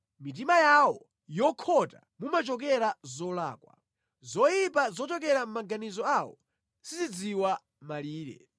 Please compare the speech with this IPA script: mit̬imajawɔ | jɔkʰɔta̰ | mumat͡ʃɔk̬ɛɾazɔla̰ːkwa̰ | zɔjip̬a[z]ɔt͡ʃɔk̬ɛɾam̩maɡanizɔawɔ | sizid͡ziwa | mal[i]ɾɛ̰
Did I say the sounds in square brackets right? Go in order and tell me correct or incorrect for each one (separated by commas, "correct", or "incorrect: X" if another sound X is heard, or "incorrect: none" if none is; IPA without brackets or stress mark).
correct, incorrect: iː